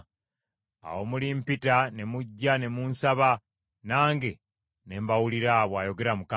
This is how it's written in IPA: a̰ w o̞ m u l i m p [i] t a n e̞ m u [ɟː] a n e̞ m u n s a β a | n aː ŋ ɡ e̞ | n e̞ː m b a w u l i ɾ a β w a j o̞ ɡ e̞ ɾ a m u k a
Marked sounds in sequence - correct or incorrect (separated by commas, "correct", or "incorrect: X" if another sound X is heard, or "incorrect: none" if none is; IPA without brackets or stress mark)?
correct, correct